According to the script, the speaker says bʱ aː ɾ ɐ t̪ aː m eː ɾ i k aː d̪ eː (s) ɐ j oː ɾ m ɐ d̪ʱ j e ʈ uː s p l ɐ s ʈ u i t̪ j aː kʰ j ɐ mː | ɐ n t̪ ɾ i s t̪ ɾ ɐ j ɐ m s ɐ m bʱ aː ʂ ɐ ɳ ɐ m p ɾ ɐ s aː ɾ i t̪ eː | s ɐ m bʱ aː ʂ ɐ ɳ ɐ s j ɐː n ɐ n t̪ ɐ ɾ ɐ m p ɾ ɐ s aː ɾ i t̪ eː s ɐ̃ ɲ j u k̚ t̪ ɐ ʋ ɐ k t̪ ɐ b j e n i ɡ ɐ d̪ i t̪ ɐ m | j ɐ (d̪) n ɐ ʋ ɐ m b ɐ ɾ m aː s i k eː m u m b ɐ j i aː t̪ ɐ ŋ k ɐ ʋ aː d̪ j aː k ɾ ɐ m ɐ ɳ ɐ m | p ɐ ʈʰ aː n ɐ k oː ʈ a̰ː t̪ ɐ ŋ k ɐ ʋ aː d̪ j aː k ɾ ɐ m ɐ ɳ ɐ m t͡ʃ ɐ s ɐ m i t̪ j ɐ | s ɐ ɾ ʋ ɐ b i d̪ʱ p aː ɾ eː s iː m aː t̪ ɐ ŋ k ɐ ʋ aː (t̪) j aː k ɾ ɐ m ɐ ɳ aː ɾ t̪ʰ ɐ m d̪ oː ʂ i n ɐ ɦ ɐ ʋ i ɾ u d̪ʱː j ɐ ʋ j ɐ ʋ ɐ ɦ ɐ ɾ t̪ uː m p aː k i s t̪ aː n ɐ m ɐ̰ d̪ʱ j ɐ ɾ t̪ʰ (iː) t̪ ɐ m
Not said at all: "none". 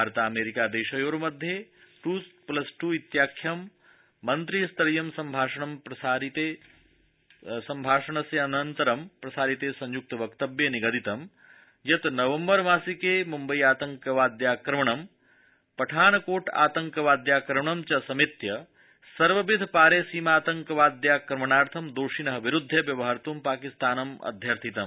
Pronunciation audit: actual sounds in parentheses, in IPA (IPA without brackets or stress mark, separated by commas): ʃ, t̪, d̪, i